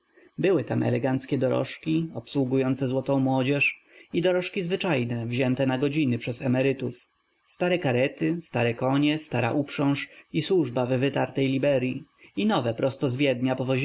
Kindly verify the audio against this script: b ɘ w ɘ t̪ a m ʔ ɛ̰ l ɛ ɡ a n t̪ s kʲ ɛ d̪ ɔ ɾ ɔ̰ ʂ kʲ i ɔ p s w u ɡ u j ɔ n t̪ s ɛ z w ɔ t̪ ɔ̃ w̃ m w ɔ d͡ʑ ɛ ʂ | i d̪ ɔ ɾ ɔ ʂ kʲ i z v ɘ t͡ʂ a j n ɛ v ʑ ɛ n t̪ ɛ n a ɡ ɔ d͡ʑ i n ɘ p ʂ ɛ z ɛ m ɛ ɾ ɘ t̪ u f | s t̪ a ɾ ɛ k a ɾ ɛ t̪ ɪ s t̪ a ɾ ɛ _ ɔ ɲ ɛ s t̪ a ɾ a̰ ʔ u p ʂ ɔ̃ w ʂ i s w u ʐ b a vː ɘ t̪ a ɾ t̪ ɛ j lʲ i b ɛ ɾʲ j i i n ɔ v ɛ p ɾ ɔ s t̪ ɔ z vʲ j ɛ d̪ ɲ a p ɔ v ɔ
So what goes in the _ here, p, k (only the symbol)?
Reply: k